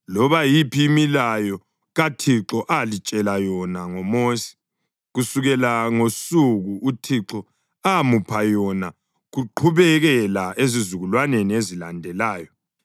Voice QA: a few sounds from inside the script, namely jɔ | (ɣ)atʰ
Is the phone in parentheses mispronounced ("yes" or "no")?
no